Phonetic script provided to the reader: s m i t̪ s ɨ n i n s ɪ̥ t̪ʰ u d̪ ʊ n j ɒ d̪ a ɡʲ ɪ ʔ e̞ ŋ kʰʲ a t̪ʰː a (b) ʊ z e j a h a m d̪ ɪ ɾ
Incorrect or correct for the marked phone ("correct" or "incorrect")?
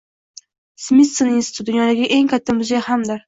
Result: incorrect